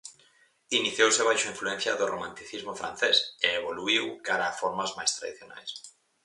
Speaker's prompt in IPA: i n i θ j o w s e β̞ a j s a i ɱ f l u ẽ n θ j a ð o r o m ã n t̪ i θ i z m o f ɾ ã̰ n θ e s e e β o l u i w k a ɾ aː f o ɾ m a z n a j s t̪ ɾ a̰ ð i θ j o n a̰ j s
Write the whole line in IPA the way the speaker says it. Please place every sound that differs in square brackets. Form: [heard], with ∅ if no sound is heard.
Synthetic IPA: i n i θ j o w s e β̞ a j [ʃ] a i ɱ f l u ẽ n θ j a ð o r o m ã n t̪ i θ i z m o f ɾ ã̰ n θ e s e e β o l u i w k a ɾ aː f o ɾ m a z [m] a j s t̪ ɾ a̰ ð i θ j o n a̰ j s